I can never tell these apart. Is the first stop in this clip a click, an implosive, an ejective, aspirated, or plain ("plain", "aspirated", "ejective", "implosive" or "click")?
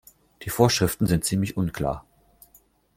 plain